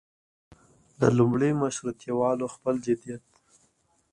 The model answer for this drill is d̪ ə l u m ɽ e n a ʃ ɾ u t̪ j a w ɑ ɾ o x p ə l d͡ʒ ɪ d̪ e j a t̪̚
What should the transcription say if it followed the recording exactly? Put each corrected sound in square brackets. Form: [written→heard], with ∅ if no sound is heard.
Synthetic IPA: d̪ ə l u m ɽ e [n→m] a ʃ ɾ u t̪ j a w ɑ [ɾ→l] o x p ə l d͡ʒ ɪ d̪ [e→i] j a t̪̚

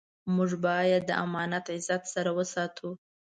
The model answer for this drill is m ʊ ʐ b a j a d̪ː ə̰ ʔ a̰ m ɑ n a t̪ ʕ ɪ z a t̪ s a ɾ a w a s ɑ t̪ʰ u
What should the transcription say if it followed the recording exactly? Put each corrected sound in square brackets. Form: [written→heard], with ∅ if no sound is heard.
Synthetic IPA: m ʊ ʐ b [a→ɑ] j a d̪ː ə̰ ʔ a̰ m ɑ n a t̪ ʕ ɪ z a t̪ s a ɾ a w [a→ə] s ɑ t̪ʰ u

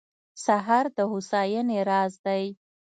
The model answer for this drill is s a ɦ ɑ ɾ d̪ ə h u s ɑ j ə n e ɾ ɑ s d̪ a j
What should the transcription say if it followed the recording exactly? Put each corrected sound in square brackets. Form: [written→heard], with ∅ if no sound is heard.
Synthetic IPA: s a ɦ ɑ ɾ d̪ ə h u s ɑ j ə n e ɾ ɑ [s→z] d̪ a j

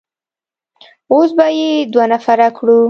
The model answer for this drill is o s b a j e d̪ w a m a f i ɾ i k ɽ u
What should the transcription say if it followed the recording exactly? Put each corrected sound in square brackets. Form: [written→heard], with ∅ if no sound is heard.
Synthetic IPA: o s b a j e d̪ w a [m→n] a f [i→a] ɾ [i→a] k ɽ u

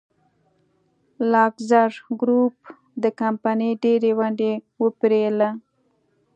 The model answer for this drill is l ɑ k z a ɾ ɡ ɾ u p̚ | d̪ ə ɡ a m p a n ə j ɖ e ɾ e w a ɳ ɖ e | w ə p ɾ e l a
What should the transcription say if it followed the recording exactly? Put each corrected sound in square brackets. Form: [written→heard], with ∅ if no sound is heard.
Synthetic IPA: l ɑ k z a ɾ ɡ ɾ u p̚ | d̪ ə [ɡ→k] a m p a n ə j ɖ e ɾ e w a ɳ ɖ e | w ə p ɾ e l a

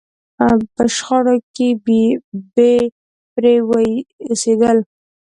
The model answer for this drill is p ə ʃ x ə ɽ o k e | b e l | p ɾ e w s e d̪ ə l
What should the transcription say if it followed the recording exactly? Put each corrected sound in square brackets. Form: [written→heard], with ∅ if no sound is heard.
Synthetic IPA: p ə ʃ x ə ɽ o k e | b e [l→∅] | p ɾ e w s e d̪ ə l

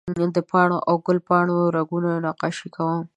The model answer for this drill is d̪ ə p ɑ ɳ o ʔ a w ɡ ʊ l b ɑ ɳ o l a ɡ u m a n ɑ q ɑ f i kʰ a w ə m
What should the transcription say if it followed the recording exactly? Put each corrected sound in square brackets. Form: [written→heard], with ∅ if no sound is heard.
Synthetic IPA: d̪ ə p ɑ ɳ o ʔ a w ɡ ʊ l [b→p] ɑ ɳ o [l→ɾ] a ɡ u [m→n] a n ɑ q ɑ [f→ʃ] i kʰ a w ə m

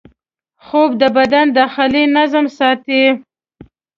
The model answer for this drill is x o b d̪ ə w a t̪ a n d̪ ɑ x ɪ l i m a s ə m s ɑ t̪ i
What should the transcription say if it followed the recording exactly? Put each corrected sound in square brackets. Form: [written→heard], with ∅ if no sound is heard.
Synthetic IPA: x o b d̪ ə [w→b] a [t̪→d̪] a n d̪ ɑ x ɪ l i [m→n] a [s→z] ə m s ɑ t̪ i

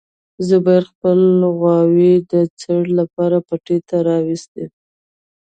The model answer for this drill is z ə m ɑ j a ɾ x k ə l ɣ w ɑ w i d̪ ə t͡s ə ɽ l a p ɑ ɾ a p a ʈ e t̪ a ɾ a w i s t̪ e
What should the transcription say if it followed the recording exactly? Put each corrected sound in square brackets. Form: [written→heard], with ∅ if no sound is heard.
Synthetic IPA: z ə [m→b] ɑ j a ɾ x [k→p] ə l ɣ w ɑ w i d̪ ə t͡s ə ɽ l a p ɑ ɾ a p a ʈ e t̪ a ɾ [a→ɑ] w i s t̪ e

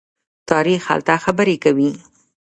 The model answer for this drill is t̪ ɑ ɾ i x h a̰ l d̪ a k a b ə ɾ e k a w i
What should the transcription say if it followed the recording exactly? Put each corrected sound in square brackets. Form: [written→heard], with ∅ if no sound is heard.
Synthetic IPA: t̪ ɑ ɾ i x h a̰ l [d̪→t̪] a [k→x] a b ə ɾ e k a w i

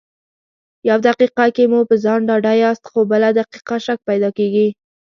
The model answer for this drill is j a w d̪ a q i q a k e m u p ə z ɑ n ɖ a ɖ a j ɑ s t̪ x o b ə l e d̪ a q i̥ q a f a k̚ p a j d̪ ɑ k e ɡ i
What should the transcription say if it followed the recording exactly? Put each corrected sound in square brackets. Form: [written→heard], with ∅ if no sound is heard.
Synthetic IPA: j a w d̪ a q i q a k e m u p ə z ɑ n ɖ [a→ɑ] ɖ a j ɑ s t̪ x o b ə l [e→a] d̪ a q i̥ q a [f→ʃ] a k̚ p a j d̪ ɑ k e ɡ i

